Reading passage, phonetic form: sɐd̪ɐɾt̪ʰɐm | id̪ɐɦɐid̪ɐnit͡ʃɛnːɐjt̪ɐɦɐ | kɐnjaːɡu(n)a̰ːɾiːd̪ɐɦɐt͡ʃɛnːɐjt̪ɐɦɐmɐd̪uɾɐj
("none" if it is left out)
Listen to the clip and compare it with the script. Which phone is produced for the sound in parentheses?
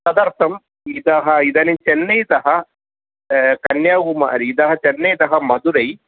m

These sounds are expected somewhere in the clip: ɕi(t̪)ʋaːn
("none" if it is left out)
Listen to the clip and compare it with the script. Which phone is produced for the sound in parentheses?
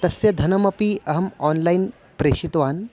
t̪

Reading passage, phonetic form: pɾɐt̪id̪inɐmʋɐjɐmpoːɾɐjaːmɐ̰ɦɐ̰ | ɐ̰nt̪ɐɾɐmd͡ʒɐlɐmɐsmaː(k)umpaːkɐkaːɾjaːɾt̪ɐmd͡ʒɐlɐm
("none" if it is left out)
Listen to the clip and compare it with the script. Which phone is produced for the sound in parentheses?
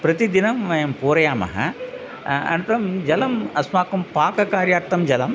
k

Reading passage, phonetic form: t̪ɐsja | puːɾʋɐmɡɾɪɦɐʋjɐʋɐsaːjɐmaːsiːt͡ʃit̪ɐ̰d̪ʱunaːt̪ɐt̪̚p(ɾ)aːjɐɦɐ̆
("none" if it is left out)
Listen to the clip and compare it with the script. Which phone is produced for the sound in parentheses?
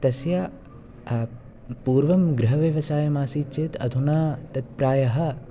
ɾ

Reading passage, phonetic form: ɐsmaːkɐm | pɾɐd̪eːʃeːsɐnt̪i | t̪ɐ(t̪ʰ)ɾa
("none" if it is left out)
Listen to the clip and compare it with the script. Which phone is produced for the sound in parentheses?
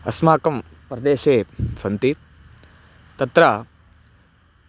t̪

